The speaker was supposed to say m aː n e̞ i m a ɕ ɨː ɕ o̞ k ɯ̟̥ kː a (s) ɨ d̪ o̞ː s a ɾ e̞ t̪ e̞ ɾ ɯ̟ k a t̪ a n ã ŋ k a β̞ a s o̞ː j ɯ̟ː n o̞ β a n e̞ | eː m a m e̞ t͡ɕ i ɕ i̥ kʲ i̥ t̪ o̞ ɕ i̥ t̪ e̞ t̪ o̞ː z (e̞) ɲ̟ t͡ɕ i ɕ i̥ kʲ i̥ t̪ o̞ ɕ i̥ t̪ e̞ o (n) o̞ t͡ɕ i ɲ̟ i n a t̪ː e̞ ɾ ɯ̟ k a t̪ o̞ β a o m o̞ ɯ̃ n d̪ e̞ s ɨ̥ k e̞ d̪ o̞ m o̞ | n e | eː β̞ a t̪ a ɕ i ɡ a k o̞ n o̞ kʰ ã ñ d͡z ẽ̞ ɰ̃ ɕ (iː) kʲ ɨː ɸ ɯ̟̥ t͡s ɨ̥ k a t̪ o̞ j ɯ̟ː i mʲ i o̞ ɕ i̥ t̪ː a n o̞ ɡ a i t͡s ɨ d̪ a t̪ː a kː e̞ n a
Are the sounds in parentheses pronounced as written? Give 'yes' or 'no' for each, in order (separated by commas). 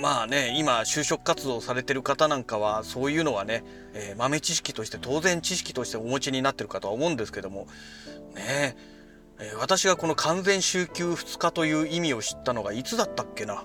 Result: no, no, no, no